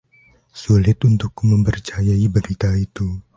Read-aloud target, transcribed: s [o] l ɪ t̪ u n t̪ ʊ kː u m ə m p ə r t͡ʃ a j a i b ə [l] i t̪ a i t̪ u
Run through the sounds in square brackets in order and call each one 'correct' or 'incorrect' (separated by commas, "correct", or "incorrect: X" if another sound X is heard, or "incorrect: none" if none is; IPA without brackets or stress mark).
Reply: incorrect: u, incorrect: ɾ